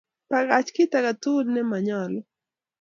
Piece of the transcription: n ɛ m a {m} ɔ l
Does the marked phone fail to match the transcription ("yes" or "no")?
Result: yes